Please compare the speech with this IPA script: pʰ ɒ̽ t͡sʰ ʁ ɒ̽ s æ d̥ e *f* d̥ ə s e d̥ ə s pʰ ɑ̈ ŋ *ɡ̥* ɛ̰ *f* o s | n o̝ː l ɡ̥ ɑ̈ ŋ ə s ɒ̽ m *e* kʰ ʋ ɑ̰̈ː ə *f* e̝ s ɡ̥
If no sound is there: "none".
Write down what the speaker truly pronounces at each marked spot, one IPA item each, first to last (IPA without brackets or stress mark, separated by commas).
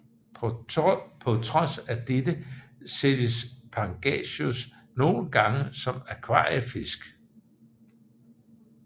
none, ɡ̥, ɕ, æ, f